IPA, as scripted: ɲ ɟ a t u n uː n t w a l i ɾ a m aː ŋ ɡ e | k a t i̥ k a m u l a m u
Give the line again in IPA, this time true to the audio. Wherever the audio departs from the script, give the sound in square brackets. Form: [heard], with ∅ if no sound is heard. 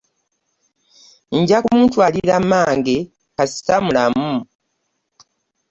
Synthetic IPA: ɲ ɟ a [k] u [m] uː n t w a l i ɾ a m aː ŋ ɡ e | k a [s] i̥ [t] a m u l a m u